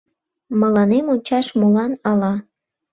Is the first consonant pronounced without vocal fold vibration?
no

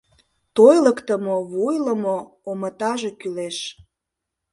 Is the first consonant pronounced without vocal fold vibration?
yes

